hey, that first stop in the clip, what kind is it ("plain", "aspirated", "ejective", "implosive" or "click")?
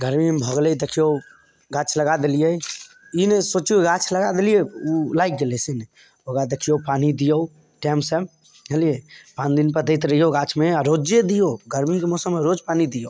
plain